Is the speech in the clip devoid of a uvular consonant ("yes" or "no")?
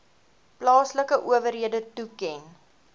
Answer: yes